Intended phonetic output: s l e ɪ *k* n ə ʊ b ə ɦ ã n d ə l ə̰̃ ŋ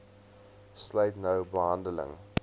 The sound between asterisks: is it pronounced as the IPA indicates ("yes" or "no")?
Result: no